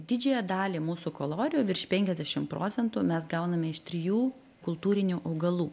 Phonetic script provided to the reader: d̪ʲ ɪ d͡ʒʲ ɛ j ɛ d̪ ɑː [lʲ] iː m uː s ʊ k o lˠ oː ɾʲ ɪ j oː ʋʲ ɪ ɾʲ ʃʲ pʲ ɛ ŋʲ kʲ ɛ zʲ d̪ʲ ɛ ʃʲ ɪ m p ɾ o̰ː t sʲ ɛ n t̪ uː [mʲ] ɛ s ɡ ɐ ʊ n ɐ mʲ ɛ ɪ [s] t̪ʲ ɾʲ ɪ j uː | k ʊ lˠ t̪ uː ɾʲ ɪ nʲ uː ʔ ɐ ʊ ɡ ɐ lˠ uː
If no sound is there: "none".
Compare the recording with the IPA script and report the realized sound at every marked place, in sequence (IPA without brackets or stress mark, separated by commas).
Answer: lʲ, mʲ, ʃ